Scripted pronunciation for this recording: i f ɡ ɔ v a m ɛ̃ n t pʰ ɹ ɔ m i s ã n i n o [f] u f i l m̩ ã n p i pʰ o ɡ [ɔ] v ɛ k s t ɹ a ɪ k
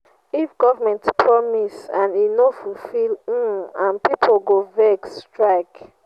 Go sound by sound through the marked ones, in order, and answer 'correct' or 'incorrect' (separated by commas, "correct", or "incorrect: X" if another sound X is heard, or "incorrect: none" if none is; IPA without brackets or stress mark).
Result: correct, incorrect: o